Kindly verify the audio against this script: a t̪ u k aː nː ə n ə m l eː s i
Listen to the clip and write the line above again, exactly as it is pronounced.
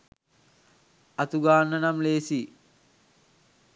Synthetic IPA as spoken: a t̪ u ɡ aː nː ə n a m l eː s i